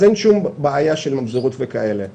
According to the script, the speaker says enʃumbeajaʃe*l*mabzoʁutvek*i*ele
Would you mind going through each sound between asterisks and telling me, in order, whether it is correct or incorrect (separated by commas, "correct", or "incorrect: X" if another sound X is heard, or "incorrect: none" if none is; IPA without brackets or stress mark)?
correct, incorrect: a